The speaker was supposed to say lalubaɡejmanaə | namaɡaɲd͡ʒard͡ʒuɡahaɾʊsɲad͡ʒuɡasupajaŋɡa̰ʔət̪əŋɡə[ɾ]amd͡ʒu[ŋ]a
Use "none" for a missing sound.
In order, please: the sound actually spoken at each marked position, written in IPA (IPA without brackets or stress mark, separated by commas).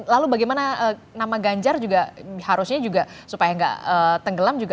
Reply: l, ɡ